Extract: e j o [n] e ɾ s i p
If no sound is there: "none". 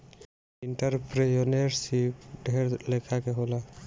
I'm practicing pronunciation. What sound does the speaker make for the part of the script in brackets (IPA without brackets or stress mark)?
n